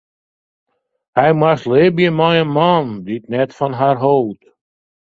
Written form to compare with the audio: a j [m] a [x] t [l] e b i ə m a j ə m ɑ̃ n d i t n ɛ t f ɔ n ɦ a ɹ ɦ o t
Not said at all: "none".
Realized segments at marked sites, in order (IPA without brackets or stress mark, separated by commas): m, s, l